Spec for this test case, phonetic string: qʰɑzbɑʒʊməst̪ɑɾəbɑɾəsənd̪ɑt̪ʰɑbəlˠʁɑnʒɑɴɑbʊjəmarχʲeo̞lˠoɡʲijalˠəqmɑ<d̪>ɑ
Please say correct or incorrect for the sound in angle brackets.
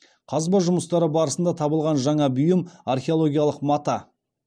incorrect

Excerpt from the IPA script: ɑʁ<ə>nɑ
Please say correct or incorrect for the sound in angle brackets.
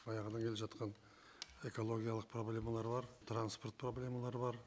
correct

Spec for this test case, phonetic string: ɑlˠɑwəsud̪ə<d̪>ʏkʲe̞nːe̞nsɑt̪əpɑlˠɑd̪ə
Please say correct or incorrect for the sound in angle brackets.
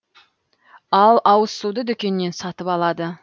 correct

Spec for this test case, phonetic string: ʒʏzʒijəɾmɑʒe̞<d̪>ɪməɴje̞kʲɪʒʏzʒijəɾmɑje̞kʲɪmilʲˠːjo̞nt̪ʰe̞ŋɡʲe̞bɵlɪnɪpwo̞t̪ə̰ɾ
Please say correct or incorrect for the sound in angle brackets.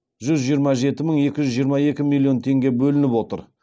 incorrect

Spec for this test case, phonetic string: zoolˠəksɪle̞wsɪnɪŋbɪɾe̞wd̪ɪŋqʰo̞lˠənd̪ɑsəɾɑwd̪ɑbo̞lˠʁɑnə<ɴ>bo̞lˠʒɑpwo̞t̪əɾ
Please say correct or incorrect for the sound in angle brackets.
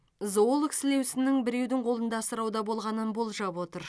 incorrect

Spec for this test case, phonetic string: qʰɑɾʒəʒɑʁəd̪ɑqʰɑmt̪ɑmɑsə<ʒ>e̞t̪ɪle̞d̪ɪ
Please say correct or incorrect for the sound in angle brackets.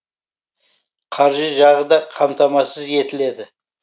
incorrect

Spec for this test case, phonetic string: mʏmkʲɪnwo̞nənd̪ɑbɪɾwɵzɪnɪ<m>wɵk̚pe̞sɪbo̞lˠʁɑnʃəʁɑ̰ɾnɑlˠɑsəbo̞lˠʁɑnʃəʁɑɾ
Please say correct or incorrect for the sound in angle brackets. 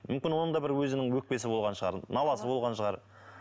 incorrect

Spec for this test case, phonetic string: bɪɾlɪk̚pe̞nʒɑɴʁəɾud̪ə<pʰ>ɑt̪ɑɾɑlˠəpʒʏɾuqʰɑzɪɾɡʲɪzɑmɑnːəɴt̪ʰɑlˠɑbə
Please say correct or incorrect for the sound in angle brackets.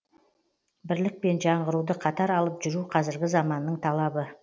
incorrect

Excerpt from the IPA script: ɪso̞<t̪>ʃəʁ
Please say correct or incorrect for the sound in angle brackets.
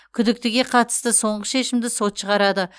correct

